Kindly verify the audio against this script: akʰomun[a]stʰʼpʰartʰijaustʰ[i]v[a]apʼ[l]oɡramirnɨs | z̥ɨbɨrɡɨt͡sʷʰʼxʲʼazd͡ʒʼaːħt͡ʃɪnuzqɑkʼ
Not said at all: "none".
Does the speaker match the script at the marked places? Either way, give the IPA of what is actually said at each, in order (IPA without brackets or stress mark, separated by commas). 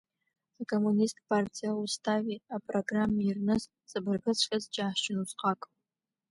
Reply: i, a, i, r